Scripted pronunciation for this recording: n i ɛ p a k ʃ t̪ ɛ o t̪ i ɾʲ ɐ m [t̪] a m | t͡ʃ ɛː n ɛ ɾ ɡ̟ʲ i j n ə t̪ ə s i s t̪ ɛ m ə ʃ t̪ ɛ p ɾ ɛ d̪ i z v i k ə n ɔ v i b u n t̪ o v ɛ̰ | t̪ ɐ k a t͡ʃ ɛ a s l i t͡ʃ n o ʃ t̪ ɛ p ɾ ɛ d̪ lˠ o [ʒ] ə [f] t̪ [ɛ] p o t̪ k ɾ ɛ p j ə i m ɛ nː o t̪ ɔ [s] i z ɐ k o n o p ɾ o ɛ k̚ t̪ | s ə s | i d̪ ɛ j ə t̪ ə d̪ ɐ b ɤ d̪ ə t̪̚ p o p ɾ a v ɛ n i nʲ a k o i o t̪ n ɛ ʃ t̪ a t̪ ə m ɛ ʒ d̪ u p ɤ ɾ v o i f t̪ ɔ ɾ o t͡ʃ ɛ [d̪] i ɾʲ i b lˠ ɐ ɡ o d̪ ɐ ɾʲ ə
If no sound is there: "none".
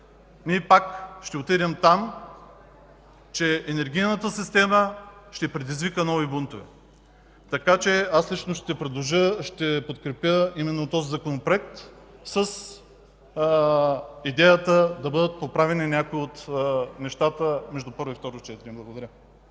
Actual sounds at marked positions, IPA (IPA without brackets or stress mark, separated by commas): t̪, ʒ, ʃ, ɛ, z, t̪